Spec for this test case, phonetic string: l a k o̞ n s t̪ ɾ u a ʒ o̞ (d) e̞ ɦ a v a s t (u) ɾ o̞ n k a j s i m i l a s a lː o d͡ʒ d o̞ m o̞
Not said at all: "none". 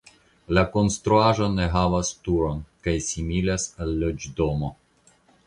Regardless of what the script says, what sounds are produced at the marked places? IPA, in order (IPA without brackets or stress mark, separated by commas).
n, u